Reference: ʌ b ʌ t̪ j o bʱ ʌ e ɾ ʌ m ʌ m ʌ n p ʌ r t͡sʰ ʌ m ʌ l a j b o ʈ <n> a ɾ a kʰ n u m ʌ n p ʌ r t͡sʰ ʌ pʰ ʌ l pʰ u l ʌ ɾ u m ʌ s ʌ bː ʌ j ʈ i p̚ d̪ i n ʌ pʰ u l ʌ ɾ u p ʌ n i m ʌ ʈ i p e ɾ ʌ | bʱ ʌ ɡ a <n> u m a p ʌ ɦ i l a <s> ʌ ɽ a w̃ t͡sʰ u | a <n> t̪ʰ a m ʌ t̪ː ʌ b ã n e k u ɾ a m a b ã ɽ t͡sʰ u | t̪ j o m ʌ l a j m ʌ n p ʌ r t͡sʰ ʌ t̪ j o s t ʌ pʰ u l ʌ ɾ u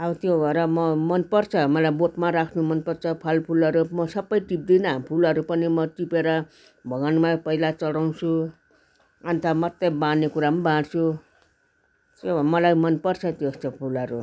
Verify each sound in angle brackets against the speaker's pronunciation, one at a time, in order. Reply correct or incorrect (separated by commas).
incorrect, correct, incorrect, correct